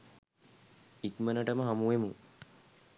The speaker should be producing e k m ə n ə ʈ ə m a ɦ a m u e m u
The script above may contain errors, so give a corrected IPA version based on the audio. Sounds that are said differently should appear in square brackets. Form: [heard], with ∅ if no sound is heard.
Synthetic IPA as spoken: [i] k m ə n ə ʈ ə m [ə] ɦ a m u e m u